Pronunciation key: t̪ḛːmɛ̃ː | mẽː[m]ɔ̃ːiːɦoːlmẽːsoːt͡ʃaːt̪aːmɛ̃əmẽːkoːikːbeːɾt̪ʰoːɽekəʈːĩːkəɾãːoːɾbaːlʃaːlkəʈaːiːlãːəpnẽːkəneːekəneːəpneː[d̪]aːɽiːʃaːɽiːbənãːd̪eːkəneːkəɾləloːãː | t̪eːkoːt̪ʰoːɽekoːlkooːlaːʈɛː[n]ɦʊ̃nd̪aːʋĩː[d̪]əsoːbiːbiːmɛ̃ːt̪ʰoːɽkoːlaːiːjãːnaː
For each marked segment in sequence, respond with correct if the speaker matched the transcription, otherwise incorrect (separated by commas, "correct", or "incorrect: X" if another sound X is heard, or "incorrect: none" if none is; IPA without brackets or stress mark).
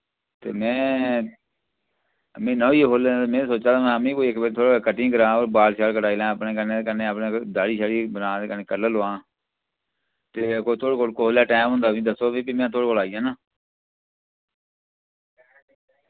incorrect: n, correct, incorrect: m, correct